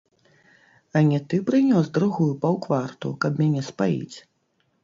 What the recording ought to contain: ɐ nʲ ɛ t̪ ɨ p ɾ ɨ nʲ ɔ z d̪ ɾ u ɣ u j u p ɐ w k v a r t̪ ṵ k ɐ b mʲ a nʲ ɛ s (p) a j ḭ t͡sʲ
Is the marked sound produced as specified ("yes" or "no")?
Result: yes